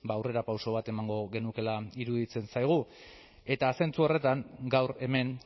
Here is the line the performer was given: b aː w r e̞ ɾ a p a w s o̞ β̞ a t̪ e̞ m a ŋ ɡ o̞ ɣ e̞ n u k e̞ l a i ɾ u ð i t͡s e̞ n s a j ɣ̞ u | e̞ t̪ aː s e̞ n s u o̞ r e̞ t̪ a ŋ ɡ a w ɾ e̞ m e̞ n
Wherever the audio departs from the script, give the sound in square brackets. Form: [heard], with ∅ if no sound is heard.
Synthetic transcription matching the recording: b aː w r e̞ ɾ a p a w s o̞ β̞ a t̪ e̞ m a ŋ ɡ o̞ ɣ e̞ n u k e̞ l a i ɾ u ð i t͡s e̞ n s a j ɣ̞ u | e̞ t̪ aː s e̞ n [t͡s] u o̞ r e̞ t̪ a ŋ ɡ a w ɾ e̞ m e̞ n